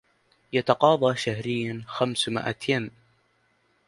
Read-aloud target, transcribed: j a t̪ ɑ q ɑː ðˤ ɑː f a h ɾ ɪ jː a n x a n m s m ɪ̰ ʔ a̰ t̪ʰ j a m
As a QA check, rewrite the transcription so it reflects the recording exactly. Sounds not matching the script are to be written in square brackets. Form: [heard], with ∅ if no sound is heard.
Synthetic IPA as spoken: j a t̪ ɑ q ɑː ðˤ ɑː [ʃ] a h ɾ ɪ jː a n x a [∅] m s m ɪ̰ ʔ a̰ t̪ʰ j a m